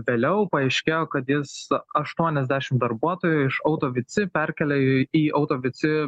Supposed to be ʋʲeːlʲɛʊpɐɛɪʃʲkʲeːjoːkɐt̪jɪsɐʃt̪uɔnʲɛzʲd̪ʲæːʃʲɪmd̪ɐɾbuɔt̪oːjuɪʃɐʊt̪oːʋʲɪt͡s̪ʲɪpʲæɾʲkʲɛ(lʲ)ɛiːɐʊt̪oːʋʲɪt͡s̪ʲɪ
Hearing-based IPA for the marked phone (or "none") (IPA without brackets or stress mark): lʲ